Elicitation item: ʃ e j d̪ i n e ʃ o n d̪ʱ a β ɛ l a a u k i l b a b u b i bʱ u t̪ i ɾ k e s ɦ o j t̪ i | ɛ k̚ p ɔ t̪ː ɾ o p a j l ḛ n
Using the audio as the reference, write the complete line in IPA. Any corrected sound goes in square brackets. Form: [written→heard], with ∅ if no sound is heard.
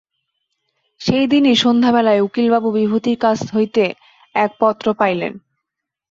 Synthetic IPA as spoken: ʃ e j d̪ i n [e→i] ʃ o n d̪ʱ a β ɛ l a [a→e] u k i l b a b u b i bʱ u t̪ i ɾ k [e→a] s ɦ o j t̪ [i→e] | ɛ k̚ p ɔ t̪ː ɾ o p a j l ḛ n